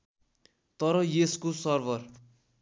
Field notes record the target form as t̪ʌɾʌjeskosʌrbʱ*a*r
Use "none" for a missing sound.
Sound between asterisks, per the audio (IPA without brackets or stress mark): ʌ